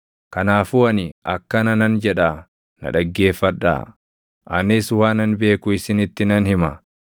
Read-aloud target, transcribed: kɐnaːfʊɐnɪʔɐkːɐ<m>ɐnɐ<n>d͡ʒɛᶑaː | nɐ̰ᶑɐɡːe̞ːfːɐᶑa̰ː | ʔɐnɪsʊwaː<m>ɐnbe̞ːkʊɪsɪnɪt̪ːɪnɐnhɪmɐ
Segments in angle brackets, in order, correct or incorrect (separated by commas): incorrect, correct, incorrect